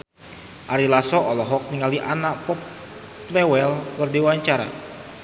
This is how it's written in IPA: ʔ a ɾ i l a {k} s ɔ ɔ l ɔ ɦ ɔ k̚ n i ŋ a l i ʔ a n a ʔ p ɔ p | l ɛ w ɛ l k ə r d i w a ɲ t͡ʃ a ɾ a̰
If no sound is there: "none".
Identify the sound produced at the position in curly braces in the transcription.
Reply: none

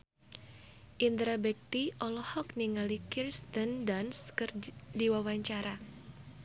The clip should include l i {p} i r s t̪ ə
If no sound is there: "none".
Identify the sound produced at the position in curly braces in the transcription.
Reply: k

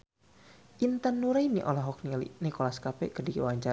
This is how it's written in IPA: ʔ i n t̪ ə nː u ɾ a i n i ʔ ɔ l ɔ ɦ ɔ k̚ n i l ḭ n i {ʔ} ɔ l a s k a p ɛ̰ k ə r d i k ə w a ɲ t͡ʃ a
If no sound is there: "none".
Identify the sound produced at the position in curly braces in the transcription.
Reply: k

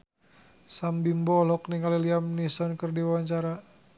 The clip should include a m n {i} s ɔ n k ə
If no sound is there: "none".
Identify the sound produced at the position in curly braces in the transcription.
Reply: i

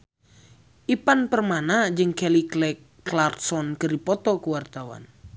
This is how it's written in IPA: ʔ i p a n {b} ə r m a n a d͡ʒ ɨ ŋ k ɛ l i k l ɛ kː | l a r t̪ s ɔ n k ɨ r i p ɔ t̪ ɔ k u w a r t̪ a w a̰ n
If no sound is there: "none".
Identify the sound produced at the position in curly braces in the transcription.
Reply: p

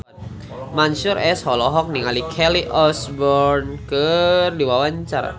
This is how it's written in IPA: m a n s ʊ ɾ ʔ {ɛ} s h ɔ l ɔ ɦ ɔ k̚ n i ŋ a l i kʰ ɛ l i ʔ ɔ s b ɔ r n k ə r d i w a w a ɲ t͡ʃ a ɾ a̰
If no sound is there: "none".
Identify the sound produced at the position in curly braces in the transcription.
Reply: ɛ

